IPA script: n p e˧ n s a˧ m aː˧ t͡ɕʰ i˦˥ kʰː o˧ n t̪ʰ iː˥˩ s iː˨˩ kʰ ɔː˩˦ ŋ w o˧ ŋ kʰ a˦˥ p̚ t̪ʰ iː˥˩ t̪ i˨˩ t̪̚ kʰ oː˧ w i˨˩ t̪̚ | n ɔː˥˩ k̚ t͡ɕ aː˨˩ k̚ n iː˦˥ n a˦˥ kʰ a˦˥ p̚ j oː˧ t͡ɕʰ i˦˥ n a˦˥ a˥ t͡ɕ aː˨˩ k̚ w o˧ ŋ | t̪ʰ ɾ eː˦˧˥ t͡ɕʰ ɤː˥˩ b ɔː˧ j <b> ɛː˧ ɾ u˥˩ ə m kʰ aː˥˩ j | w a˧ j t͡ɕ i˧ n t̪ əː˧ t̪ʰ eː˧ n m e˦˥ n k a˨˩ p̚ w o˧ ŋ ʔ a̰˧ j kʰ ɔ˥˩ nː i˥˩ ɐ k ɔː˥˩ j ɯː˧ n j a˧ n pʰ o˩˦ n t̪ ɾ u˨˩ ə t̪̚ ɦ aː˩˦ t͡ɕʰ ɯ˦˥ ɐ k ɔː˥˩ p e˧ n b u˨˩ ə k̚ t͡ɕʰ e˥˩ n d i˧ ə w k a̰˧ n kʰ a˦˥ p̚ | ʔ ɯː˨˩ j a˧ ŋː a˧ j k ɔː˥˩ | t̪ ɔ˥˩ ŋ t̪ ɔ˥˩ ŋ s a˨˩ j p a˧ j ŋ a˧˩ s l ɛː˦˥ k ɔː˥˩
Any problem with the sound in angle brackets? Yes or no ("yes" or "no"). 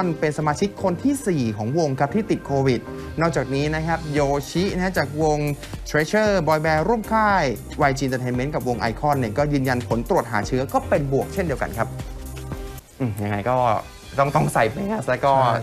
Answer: no